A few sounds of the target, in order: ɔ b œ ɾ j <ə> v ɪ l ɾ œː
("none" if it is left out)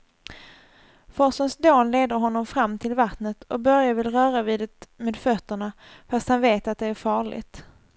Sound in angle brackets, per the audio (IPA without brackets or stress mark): a